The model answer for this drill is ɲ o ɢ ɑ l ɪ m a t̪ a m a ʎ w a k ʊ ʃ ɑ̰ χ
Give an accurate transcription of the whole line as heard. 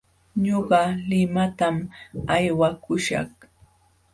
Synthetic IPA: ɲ o ɢ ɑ l ɪ m a t̪ a m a j w a k ʊ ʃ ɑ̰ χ